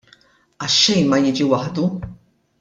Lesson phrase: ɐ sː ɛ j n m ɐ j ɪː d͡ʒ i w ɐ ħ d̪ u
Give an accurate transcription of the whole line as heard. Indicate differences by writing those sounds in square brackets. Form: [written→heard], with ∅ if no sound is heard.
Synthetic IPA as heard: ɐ [sː→ʃː] ɛ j n m ɐ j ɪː d͡ʒ i w ɐ ħ d̪ u